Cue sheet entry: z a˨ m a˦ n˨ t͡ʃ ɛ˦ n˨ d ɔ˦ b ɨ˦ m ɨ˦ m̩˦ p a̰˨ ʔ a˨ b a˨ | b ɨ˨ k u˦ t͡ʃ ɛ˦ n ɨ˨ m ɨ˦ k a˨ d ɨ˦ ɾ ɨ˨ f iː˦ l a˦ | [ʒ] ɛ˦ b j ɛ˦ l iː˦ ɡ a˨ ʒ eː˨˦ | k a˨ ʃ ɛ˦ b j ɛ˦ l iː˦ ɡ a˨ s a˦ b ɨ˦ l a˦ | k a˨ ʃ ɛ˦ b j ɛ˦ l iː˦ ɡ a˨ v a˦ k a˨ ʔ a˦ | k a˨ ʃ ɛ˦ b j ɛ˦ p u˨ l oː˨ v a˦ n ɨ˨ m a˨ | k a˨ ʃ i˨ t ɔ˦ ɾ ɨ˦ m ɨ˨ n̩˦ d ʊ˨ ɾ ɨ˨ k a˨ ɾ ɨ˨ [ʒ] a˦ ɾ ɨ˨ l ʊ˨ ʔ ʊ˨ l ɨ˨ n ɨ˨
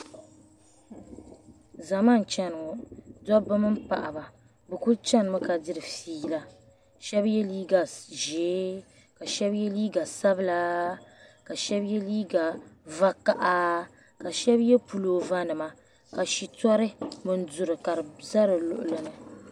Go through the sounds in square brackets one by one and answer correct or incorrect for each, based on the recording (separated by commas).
incorrect, incorrect